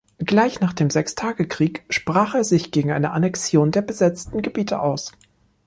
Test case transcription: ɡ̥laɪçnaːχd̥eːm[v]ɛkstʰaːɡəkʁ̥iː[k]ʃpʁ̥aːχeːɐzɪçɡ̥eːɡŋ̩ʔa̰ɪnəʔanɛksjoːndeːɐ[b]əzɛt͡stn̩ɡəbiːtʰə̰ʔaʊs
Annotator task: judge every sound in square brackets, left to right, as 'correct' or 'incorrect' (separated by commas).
incorrect, correct, correct